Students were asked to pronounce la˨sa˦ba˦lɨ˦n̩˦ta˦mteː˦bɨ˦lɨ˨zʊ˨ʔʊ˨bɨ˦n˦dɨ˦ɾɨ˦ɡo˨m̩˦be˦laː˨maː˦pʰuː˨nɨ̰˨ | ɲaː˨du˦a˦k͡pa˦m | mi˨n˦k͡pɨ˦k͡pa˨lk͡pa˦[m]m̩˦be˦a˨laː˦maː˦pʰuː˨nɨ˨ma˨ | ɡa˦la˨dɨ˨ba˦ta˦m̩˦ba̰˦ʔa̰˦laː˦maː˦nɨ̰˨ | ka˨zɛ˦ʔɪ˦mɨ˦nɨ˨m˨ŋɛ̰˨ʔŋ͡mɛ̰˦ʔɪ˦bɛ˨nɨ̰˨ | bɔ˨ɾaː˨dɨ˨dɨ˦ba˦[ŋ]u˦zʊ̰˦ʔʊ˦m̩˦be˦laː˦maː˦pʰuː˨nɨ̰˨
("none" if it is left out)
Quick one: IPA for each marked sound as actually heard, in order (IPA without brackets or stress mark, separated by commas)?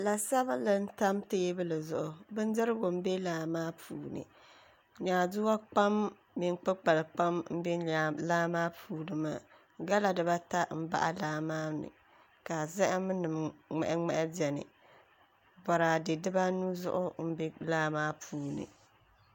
m, n